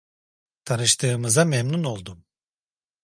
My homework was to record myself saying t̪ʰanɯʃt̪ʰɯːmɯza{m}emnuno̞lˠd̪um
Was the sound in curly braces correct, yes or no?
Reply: yes